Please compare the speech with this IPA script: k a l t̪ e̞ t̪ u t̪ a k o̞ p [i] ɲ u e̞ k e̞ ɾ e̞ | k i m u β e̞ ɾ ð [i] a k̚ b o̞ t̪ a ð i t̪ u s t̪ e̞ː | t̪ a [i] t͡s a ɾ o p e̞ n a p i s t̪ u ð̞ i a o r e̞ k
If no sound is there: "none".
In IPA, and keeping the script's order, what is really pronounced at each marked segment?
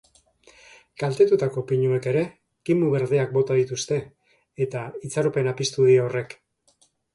i, e, i

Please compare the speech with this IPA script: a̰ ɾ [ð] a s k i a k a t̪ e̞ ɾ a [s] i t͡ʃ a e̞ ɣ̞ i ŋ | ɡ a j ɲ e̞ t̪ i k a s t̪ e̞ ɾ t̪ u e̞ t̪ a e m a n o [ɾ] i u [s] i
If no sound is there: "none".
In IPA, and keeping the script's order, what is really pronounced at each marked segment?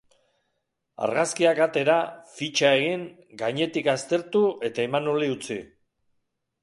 ɣ, f, l, t͡s

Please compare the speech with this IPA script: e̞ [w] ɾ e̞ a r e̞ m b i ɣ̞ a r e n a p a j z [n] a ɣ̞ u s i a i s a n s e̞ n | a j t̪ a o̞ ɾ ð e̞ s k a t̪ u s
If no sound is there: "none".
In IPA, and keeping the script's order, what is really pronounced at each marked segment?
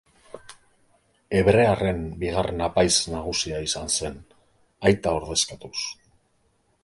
β, n

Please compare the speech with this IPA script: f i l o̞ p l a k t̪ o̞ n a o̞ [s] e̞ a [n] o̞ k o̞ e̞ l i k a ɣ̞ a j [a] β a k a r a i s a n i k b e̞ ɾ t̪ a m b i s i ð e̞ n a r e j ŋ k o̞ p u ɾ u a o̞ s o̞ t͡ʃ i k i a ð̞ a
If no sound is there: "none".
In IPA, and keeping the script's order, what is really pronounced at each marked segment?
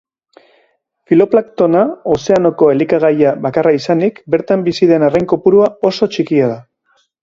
s, n, a

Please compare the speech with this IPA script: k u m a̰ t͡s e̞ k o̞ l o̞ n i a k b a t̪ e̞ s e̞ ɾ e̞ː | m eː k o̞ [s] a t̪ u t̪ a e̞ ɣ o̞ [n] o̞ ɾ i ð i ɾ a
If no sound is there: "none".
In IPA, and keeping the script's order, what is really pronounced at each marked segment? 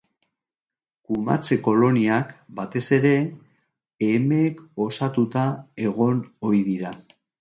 s, n

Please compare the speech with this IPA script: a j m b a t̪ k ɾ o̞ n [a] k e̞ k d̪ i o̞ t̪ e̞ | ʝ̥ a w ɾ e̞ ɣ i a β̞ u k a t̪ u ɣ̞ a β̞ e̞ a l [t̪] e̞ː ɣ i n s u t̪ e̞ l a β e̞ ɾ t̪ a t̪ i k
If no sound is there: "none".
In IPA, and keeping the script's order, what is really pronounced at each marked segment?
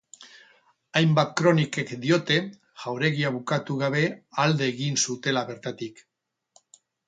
i, d̪

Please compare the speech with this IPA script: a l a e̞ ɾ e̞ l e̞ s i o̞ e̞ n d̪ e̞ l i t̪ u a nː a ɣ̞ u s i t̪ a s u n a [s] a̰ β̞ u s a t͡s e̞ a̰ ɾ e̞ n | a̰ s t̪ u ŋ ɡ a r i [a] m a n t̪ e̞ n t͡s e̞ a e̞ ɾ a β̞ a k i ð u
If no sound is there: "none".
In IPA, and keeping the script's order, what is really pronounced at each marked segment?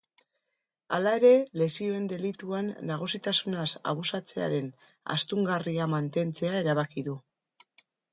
s, a

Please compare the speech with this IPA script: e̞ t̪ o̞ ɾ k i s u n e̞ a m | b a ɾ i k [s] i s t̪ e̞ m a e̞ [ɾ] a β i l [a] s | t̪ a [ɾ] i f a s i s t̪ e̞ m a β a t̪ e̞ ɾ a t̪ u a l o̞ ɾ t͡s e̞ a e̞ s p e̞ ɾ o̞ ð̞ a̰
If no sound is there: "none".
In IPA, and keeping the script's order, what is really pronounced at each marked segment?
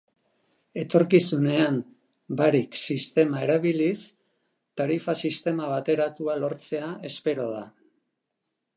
s, ɾ, i, ɾ

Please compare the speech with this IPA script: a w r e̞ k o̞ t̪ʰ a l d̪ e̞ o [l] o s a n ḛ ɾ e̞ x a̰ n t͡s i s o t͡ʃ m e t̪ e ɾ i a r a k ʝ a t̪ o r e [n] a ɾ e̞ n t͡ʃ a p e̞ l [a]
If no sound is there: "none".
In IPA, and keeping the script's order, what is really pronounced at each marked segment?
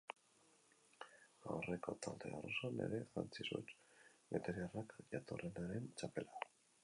r, n, a

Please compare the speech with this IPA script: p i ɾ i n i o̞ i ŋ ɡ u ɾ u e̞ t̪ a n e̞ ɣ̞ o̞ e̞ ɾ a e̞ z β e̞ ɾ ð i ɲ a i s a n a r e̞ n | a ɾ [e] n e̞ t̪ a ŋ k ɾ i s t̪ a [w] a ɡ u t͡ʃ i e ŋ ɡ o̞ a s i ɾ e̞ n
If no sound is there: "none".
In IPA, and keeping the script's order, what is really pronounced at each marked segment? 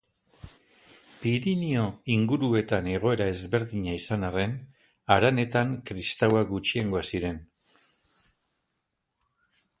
a, w

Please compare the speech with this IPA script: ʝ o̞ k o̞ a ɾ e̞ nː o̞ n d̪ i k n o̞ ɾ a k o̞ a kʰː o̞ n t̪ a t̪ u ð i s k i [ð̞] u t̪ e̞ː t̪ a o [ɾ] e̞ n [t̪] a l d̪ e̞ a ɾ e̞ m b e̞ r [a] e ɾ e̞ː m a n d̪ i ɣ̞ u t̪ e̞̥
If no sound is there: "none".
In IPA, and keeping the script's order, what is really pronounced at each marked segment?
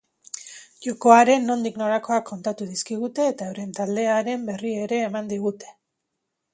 ɣ̞, ɾ, t̪, i

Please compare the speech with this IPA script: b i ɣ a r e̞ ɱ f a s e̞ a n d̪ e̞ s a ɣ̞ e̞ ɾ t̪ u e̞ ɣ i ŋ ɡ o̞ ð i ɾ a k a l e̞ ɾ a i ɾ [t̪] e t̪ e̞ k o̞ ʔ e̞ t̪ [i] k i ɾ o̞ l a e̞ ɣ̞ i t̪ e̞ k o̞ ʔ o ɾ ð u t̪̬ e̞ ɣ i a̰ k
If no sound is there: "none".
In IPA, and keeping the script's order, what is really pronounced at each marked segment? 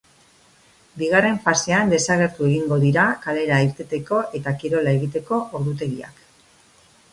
t̪, a

